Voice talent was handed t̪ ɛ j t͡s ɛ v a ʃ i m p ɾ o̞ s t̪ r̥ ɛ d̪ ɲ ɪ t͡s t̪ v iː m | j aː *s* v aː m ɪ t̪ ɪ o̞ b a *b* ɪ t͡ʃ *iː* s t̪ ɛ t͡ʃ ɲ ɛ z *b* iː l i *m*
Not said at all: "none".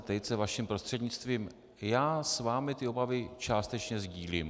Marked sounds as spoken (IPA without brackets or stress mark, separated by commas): s, v, aː, ɟ, m